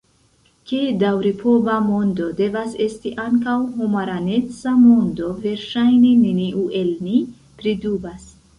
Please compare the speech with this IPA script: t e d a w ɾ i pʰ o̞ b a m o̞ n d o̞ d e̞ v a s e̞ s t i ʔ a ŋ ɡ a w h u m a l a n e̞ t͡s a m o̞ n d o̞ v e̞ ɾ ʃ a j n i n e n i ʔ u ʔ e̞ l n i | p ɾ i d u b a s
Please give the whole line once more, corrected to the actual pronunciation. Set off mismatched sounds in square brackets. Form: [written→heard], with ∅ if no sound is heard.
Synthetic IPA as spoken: [t→k] e d a w ɾ i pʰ o̞ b a m o̞ n d o̞ d e̞ v a s e̞ s t i ʔ a ŋ [ɡ→k] a w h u m a [l→ɾ] a n e̞ t͡s a m o̞ n d o̞ v e̞ ɾ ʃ a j n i n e n i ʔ u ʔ e̞ l n i | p ɾ i d u b a s